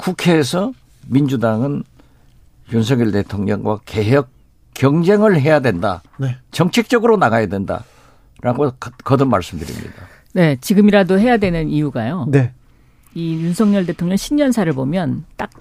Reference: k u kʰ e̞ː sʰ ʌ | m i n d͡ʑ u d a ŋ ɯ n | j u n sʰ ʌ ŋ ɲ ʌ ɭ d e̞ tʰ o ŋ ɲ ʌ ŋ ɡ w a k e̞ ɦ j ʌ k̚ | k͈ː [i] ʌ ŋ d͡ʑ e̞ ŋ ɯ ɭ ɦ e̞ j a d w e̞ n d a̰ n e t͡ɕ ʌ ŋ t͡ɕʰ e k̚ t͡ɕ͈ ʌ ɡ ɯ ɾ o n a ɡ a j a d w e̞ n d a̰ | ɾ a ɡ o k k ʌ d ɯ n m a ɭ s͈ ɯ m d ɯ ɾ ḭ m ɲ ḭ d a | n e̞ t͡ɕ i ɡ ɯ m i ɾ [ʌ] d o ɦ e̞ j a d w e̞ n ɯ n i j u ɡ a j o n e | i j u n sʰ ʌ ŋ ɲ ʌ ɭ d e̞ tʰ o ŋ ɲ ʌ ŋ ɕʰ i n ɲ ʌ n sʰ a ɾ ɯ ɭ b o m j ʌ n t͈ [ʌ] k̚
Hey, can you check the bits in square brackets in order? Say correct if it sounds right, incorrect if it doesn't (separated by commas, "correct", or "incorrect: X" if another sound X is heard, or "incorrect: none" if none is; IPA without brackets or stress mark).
incorrect: j, incorrect: a, incorrect: a